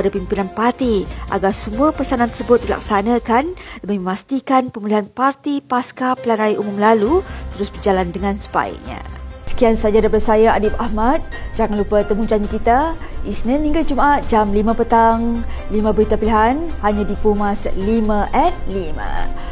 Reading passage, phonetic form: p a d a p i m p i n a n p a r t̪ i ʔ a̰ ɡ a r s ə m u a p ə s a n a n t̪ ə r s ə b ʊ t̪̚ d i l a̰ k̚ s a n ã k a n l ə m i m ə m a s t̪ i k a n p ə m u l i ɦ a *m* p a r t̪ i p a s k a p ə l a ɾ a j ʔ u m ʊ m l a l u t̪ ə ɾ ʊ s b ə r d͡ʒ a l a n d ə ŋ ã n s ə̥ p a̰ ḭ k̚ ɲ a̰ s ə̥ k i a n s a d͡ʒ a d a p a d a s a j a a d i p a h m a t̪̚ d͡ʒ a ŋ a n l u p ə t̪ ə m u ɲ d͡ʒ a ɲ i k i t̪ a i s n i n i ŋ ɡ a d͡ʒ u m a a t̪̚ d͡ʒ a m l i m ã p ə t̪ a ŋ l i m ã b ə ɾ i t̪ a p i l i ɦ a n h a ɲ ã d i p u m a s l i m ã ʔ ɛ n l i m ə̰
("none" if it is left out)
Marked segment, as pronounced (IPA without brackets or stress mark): n